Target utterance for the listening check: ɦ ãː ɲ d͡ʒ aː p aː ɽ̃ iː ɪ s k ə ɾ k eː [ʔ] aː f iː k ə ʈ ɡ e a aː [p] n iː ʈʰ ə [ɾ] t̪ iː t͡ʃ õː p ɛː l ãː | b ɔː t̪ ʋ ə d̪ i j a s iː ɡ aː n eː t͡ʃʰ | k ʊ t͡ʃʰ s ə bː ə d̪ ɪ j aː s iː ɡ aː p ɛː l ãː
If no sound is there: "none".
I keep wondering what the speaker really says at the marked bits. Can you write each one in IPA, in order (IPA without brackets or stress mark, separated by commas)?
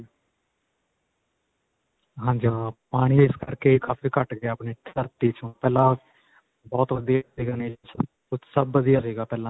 k, p, ɾ